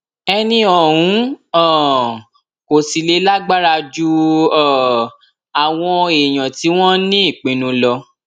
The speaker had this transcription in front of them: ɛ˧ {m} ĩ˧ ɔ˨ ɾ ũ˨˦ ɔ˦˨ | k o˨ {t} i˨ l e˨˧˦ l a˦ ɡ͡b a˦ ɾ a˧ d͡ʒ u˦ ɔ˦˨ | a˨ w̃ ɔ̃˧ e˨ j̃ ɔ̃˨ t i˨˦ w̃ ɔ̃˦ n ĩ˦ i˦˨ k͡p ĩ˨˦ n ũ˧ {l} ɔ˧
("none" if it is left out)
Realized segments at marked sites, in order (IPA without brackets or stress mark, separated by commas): n, s, l